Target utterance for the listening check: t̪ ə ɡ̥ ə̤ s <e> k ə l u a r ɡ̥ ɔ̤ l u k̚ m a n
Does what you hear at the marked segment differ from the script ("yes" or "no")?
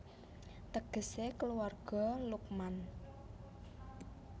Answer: no